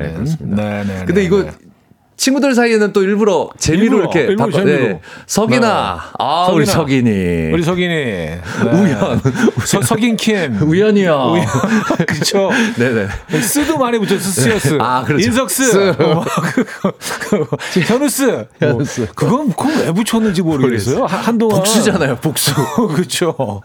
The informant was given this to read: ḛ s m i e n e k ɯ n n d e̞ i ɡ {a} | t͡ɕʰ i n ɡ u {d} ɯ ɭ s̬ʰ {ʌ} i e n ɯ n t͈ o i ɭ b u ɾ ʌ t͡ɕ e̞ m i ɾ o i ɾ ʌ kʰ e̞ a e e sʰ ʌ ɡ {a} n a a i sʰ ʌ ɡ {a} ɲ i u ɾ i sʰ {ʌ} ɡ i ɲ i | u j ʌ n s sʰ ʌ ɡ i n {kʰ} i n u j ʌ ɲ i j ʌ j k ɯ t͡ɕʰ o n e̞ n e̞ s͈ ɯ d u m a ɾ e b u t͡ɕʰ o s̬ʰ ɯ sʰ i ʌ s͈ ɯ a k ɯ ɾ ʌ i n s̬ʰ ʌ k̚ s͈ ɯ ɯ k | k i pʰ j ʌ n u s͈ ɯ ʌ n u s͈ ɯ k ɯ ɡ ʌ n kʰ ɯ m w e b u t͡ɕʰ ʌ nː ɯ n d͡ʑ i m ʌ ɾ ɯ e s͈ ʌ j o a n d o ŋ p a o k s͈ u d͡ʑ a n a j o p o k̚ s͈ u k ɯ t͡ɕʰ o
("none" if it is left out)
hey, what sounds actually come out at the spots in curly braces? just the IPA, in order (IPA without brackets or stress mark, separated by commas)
ʌ, d, a, i, i, ʌ, kʰ